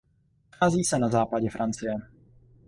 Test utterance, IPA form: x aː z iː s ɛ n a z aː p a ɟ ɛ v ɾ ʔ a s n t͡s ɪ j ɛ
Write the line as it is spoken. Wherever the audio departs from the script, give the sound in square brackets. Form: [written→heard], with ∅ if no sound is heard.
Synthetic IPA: x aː z iː s ɛ n a z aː p a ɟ ɛ [v→f] ɾ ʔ a [s→∅] n t͡s ɪ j ɛ